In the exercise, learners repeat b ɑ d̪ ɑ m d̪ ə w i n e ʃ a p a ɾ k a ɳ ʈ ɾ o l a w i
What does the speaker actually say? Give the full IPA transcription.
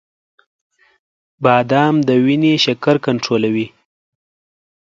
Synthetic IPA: b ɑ d̪ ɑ m d̪ ə w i n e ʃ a k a ɾ k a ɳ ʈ ɾ o l a w i